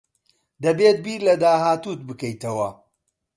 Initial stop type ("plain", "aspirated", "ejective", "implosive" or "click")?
plain